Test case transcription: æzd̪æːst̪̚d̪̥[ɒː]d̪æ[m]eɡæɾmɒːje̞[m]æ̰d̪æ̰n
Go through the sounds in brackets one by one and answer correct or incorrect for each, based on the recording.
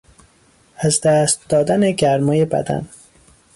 correct, incorrect, incorrect

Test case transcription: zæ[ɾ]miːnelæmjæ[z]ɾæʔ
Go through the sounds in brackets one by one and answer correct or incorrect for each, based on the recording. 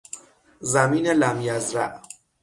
incorrect, correct

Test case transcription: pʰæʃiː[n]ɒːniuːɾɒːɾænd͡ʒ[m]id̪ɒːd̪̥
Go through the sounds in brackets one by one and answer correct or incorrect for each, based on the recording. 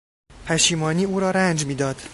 incorrect, correct

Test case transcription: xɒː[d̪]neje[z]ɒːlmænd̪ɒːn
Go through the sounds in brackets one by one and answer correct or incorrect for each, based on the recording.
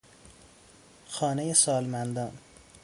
incorrect, incorrect

